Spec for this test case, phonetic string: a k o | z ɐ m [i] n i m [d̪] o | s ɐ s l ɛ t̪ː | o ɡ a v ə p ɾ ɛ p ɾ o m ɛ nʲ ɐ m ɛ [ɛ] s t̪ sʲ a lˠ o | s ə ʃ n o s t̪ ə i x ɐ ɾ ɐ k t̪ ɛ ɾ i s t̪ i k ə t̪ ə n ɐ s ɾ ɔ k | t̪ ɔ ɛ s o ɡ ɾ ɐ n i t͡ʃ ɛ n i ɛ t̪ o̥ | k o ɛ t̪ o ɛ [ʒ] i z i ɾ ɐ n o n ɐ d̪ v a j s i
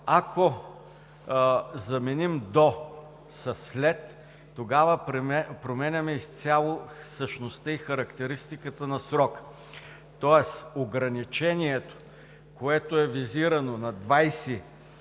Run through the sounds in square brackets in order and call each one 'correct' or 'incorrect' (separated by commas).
incorrect, correct, incorrect, incorrect